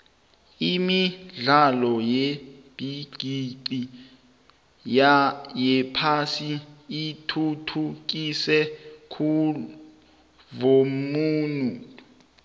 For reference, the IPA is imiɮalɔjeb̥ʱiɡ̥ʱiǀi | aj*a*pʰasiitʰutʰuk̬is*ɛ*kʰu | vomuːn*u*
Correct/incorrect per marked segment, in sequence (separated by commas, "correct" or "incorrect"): incorrect, correct, correct